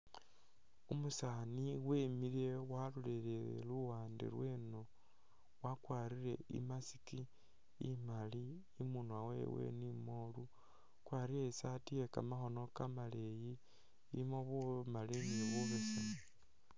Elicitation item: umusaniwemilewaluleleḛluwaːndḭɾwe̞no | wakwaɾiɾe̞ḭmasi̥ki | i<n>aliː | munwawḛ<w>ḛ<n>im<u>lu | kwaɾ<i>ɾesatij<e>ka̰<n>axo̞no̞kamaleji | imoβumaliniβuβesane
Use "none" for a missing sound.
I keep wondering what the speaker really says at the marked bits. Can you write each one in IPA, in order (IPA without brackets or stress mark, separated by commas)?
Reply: m, w, n, o, i, e, m